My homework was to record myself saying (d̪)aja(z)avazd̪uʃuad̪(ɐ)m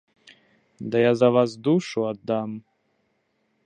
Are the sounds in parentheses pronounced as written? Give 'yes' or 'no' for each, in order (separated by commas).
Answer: yes, yes, no